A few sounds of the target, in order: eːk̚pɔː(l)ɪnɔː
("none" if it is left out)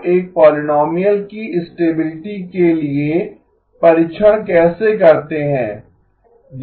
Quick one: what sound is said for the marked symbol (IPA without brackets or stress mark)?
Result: l